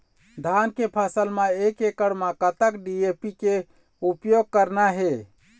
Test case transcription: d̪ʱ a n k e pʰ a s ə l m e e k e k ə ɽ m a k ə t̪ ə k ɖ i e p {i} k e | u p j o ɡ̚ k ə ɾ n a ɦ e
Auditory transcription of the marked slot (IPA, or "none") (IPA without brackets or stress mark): i